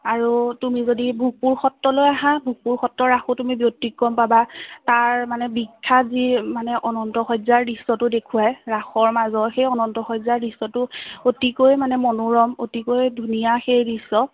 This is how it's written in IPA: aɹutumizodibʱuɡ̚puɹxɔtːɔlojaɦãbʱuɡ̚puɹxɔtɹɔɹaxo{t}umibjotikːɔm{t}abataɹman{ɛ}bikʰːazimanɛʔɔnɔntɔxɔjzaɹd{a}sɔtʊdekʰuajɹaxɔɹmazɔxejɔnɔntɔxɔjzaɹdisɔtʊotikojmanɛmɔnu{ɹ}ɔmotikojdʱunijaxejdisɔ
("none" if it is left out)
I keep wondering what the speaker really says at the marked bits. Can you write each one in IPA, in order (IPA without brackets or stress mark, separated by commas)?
t, p, ɛ, i, ɹ